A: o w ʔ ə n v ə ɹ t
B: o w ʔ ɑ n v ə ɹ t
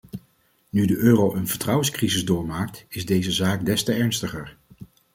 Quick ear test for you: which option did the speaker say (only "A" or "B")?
A